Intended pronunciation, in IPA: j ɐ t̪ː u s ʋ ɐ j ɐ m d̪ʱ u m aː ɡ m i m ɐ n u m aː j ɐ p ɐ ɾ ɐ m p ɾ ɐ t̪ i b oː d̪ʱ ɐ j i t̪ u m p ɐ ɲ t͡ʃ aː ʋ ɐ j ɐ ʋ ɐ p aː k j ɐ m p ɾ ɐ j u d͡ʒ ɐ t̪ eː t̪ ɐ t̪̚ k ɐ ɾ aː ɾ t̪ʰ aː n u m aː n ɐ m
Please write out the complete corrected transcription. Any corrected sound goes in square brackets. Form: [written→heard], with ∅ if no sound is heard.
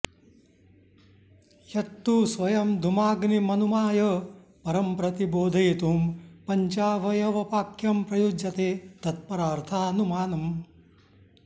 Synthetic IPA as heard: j ɐ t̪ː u s ʋ ɐ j ɐ m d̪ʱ u m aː ɡ [m→n] i m ɐ n u m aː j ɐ p ɐ ɾ ɐ m p ɾ ɐ t̪ i b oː d̪ʱ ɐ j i t̪ u m p ɐ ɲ t͡ʃ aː ʋ ɐ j ɐ ʋ ɐ p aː k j ɐ m p ɾ ɐ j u d͡ʒ ɐ t̪ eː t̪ ɐ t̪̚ [k→p] ɐ ɾ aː ɾ t̪ʰ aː n u m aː n ɐ m